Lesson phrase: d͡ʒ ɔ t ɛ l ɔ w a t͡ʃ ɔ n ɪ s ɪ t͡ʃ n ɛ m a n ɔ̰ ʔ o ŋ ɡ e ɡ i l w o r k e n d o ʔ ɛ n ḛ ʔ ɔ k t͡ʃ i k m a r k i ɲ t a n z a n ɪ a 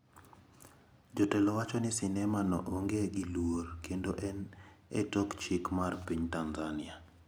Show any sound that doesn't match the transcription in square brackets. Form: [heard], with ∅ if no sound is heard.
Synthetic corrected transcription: d͡ʒ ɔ t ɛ l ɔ w a t͡ʃ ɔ n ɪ s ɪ [∅] n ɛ m a n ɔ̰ ʔ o ŋ ɡ e ɡ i l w o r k e n d o ʔ ɛ n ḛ [t] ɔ k t͡ʃ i k m a r [p] i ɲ t a n z a n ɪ a